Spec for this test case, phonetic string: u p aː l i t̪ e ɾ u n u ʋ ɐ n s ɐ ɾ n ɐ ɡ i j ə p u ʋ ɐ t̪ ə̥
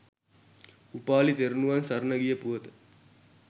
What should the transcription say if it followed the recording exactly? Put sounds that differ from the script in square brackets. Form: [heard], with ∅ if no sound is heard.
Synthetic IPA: u p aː l i t̪ e ɾ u n u ʋ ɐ n s ɐ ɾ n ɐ ɡ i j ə p u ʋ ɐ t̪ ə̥